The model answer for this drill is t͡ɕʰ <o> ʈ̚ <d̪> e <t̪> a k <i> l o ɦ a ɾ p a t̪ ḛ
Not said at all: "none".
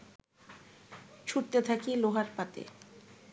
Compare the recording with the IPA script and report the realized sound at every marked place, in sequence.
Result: u, t̪, t̪ʰ, i

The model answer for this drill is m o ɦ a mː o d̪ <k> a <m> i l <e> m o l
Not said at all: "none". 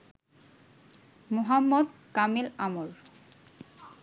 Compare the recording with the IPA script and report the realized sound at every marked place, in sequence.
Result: k, m, a

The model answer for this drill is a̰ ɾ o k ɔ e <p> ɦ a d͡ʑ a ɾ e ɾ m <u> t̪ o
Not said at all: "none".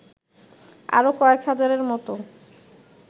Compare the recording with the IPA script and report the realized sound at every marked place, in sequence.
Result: k, ɔ

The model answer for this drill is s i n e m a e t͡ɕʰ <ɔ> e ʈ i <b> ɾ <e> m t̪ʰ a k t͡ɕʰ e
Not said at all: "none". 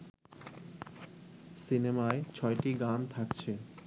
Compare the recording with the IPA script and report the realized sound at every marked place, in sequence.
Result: ɔ, ɡ, a

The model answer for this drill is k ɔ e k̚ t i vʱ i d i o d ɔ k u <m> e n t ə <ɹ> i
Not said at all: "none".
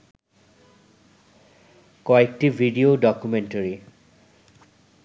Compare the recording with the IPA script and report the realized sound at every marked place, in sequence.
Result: m, ɹ

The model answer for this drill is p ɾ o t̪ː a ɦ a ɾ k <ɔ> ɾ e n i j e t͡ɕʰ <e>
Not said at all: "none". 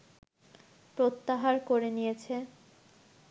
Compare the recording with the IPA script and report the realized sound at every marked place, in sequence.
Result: o, e

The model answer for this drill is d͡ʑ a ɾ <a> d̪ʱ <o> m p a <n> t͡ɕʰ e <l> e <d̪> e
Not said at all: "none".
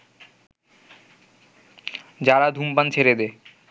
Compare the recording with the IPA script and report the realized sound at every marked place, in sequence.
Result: a, u, n, ɾ, d̪

